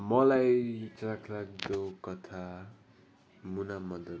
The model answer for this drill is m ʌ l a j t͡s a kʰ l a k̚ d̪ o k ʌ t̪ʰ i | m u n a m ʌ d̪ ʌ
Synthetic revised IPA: m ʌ l a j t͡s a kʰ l a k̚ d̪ o k ʌ t̪ʰ a | m u n a m ʌ d̪ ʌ

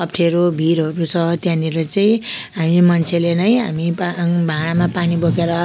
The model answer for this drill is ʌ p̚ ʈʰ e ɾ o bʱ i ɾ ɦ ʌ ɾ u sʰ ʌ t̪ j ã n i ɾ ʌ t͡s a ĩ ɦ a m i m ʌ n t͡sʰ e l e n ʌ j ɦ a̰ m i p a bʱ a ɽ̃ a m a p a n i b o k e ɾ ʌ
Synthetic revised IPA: ʌ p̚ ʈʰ e ɾ o bʱ i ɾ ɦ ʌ ɾ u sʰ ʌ t̪ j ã n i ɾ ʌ t͡s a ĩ ɦ a m i m ʌ n t͡sʰ e l e n ʌ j ɦ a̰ m i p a bʱ a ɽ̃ a m a p a n i b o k e ɾ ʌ

